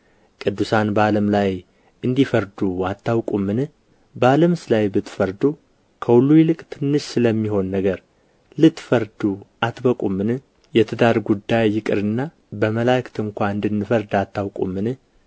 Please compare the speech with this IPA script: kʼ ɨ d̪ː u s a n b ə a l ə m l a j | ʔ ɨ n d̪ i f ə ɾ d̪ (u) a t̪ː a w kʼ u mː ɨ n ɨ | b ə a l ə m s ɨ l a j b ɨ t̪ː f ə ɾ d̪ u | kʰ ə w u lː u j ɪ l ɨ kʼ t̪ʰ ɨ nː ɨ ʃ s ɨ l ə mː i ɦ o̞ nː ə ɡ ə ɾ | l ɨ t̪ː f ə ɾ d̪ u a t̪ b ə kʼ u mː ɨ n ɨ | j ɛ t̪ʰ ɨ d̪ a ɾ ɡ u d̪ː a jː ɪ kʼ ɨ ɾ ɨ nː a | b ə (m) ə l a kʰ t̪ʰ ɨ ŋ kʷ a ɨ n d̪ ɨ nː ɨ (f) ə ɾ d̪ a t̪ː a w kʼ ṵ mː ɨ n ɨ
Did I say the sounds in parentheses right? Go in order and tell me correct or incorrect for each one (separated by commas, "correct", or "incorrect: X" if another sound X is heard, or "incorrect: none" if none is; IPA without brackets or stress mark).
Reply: correct, correct, correct